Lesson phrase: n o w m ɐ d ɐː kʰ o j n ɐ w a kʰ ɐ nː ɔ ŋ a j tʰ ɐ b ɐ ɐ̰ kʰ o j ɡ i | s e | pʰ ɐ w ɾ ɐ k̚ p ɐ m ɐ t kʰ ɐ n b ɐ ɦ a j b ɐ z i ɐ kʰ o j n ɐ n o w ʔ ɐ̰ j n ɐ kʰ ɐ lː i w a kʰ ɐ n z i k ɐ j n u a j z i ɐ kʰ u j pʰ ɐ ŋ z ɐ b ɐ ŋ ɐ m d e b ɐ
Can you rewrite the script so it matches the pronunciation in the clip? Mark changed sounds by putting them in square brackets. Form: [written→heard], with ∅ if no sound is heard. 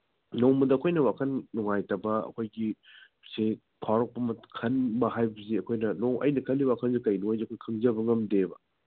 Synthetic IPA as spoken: n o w m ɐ d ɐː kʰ o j n ɐ w a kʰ ɐ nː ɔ ŋ a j [tʰ→t] ɐ b ɐ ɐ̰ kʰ o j ɡ i | s e | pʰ [ɐ→a] w ɾ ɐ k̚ p ɐ m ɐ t kʰ ɐ n b ɐ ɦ a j b ɐ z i ɐ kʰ o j n ɐ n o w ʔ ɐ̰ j n ɐ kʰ ɐ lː i w a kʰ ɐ n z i k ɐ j n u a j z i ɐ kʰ [u→o] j [pʰ→kʰ] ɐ ŋ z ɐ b ɐ ŋ ɐ m d e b ɐ